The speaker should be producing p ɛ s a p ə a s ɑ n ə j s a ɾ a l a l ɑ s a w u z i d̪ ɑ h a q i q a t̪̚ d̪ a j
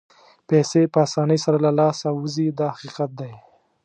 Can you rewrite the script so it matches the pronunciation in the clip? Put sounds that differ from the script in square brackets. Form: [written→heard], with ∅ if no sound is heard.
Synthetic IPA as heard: p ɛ s [a→e] p ə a s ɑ n ə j s a ɾ a l a l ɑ s a w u z i d̪ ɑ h a q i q a t̪̚ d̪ a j